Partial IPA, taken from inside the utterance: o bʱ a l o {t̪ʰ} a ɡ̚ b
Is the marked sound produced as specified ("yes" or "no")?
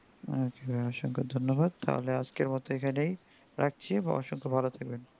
yes